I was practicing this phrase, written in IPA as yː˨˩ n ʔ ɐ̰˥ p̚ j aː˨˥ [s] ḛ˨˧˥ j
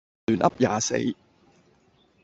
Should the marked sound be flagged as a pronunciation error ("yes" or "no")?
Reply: no